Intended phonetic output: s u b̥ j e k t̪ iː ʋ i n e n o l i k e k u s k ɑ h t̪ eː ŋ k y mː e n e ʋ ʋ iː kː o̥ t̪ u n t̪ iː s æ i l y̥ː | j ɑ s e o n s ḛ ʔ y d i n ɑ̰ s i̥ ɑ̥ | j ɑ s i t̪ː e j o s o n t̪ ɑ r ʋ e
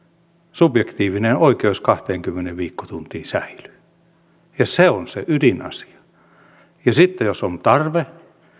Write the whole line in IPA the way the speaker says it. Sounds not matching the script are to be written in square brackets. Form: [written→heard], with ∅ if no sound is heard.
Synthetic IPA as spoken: s u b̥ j e k t̪ iː ʋ i n e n o [l→∅] i k e [k→∅] u s k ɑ h t̪ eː ŋ k y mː e n e ʋ ʋ iː kː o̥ t̪ u n t̪ iː s æ i l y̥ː | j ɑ s e o n s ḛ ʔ y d i n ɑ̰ s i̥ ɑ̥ | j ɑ s i t̪ː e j o s o n t̪ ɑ r ʋ e